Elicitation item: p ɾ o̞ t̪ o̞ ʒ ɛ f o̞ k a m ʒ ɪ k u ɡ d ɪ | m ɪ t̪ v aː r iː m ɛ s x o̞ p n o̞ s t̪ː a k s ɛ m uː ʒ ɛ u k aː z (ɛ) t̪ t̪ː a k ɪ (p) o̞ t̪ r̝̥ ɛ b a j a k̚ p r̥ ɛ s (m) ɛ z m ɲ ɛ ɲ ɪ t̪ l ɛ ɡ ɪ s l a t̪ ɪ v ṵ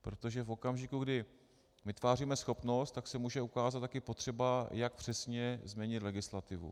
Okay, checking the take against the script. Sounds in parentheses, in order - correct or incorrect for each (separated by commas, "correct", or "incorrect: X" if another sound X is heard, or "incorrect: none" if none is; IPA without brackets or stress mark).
incorrect: a, correct, incorrect: ɲ